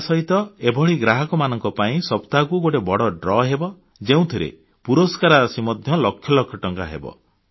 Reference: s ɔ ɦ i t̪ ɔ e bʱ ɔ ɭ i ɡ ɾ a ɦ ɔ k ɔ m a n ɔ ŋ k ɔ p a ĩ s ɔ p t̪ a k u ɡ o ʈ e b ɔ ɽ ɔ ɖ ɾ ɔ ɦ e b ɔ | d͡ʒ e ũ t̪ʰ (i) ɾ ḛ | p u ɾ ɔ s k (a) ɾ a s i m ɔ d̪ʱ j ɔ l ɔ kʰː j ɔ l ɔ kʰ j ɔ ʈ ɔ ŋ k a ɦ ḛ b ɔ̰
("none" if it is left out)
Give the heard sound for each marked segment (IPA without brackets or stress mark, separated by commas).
i, a